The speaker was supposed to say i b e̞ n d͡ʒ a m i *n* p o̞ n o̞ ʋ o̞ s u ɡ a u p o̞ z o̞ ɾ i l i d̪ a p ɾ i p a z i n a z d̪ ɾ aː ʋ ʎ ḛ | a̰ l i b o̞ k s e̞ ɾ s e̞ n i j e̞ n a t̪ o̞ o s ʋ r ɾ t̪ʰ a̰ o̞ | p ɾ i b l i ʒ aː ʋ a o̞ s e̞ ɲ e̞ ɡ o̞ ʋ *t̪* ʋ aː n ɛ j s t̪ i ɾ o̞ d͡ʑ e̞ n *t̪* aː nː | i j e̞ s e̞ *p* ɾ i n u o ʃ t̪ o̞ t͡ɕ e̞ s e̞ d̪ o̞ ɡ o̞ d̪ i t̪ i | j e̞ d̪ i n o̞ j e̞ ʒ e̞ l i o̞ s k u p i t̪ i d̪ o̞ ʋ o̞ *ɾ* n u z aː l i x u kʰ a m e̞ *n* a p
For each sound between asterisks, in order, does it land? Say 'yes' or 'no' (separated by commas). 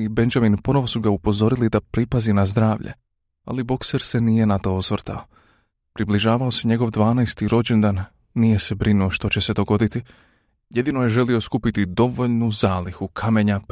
yes, no, no, no, no, no